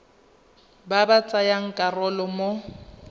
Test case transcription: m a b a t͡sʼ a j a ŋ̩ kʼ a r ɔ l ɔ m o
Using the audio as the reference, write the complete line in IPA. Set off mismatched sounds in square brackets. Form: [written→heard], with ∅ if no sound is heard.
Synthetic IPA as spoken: [m→b] a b a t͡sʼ a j a ŋ̩ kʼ a r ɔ l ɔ m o